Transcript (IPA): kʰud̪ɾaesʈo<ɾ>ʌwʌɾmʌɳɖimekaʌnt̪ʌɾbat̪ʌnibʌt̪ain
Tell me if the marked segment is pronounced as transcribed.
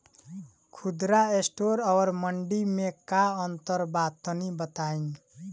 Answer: yes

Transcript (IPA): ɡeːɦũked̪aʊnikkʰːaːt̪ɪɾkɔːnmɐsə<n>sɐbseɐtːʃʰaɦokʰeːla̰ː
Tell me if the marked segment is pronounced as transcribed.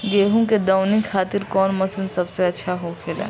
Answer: yes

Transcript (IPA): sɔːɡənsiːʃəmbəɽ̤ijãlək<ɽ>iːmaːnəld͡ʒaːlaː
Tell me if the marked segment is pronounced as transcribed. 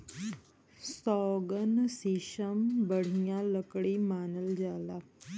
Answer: yes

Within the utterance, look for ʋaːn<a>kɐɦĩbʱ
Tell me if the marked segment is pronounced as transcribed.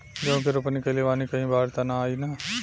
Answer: no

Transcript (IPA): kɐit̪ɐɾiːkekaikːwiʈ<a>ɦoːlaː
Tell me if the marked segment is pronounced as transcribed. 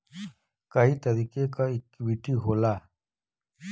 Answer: no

